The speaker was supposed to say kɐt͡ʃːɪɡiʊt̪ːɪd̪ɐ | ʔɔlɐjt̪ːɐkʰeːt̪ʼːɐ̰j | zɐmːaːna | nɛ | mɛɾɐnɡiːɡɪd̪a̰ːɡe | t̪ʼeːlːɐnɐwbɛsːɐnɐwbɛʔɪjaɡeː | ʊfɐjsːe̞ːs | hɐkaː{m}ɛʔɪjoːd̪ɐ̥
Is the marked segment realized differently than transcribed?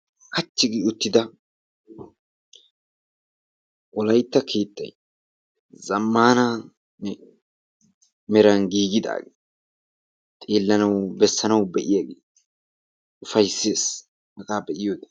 yes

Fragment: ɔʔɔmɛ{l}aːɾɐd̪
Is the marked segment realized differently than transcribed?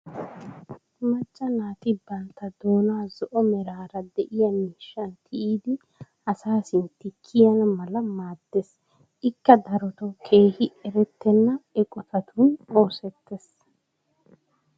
yes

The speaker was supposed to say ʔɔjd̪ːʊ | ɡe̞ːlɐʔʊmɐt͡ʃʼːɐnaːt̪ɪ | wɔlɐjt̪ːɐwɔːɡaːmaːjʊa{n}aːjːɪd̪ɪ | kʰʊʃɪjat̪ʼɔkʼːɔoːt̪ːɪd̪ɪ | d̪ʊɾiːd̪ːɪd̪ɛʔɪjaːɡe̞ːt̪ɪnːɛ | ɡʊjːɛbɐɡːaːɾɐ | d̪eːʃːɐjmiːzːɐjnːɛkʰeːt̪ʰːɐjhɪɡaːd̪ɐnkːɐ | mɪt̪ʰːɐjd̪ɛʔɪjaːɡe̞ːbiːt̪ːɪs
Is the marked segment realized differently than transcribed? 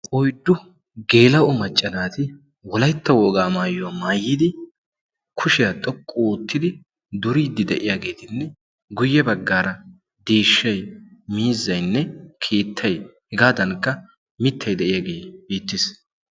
yes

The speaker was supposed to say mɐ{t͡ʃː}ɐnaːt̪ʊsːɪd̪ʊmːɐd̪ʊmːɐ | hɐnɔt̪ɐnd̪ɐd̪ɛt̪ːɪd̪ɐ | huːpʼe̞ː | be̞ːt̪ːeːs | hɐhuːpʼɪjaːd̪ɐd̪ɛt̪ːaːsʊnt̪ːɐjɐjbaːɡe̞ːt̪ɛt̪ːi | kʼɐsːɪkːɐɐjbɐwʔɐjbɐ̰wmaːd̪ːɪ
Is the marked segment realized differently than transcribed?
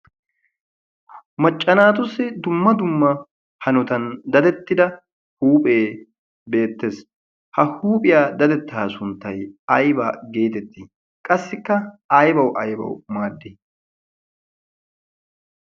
yes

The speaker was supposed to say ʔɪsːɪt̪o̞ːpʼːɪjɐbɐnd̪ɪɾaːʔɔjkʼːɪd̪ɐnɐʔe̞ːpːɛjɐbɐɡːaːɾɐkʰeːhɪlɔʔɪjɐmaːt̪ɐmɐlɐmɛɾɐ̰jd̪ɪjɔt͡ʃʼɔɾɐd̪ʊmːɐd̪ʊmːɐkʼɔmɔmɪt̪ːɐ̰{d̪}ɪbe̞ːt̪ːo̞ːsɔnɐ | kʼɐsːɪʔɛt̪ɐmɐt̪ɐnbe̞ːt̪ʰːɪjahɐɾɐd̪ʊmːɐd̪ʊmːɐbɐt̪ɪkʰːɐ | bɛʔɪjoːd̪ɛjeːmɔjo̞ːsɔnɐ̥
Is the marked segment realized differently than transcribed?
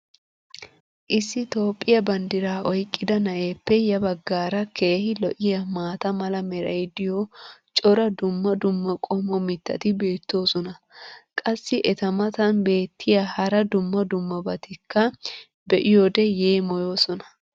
yes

